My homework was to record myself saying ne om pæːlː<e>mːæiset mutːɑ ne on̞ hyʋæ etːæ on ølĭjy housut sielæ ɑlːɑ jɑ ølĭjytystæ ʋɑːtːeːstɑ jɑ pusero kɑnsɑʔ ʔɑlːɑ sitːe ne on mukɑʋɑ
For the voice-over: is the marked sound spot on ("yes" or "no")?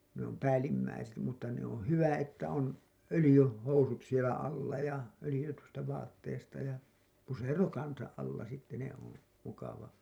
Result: no